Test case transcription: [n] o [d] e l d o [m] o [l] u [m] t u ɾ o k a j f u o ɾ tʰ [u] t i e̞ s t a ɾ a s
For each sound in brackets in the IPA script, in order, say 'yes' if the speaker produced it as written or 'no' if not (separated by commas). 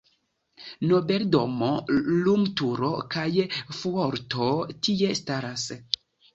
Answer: yes, no, yes, yes, yes, no